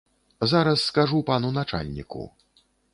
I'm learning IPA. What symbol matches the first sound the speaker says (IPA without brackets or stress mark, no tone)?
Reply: z